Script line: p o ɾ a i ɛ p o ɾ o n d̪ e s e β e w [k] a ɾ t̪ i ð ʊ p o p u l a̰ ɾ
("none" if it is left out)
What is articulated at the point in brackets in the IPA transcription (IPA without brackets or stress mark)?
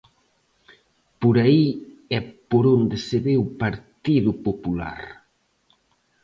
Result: p